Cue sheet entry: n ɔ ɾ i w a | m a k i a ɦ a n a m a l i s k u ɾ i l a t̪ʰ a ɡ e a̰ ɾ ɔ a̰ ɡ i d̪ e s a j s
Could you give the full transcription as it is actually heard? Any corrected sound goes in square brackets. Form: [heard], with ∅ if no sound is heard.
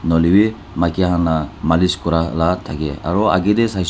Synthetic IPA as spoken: n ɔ [l] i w [i] | m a k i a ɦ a n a m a l i s k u ɾ [a] l a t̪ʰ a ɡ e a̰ ɾ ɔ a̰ ɡ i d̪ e s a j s